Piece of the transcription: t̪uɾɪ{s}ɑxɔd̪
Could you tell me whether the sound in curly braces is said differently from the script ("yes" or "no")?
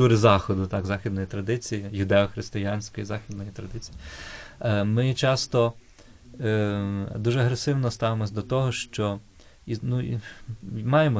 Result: yes